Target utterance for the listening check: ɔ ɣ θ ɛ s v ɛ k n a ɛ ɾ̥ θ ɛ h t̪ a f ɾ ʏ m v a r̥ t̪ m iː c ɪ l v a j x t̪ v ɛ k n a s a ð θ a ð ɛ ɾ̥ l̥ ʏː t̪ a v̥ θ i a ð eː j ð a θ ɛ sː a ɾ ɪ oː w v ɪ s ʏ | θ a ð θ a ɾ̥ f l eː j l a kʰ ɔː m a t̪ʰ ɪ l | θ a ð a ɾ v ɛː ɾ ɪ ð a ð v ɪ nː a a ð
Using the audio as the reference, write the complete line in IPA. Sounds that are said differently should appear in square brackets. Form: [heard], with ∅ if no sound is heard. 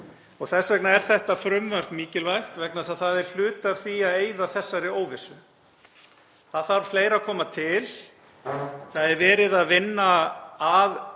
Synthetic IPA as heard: ɔ ɣ θ ɛ s v ɛ k n a ɛ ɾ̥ θ ɛ h t̪ a f ɾ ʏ m v a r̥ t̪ m iː c ɪ l v a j x t̪ v ɛ k n a s a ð θ a ð ɛ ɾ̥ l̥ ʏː t̪ a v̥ θ i a ð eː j ð a θ ɛ sː a ɾ ɪ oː w v ɪ s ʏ | θ a ð θ a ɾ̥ f l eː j [ɾ] a kʰ ɔː m a t̪ʰ ɪ l | θ a ð [ɛ] ɾ v ɛː ɾ ɪ ð a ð v ɪ nː a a ð